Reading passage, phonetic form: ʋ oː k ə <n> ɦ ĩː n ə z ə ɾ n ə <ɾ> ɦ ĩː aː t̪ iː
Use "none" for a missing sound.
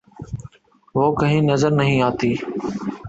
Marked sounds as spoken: none, none

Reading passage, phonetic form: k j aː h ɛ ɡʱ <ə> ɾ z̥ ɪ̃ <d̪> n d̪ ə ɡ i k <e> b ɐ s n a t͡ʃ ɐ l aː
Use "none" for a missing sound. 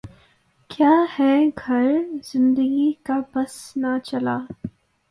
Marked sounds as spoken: ɐ, none, a

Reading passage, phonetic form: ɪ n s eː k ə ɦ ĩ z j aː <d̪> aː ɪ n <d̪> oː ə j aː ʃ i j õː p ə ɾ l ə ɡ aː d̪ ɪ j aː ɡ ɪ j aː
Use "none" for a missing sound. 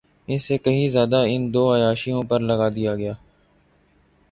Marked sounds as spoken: d̪, d̪

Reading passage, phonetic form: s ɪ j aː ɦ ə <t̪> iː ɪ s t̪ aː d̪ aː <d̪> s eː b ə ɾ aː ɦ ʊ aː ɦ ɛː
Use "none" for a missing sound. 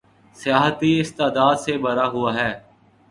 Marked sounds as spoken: t̪, d̪

